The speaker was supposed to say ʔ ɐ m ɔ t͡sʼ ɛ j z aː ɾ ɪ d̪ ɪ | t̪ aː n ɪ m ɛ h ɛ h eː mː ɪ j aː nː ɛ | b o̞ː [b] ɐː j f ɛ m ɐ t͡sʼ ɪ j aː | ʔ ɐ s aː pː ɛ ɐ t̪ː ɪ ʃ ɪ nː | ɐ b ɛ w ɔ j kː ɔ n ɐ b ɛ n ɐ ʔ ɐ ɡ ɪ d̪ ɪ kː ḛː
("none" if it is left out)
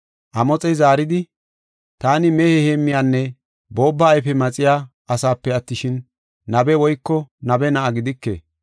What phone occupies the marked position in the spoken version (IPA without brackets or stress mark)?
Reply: bː